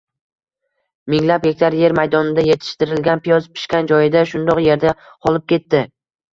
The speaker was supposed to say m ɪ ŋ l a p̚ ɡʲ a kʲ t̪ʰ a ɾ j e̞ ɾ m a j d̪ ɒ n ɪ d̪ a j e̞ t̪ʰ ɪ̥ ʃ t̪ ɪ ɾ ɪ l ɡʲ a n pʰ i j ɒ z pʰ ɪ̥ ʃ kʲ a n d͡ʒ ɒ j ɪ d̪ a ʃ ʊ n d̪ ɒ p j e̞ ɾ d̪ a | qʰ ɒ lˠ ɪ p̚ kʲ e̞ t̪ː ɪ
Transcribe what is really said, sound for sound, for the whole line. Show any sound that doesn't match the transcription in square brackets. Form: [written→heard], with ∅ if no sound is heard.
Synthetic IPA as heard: m ɪ ŋ l a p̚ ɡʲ [a→e] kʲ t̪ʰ a ɾ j e̞ ɾ m a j d̪ ɒ n ɪ d̪ a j e̞ t̪ʰ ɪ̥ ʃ t̪ ɪ ɾ ɪ l ɡʲ a n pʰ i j ɒ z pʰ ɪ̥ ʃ kʲ a n d͡ʒ ɒ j ɪ d̪ a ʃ ʊ n d̪ ɒ [p→q] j e̞ ɾ d̪ a | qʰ ɒ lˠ ɪ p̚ kʲ e̞ t̪ː ɪ